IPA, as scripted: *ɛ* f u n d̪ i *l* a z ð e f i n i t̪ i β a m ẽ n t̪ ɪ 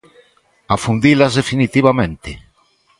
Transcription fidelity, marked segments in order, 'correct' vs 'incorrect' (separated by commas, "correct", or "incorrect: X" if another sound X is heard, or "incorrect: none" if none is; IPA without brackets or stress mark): incorrect: a, correct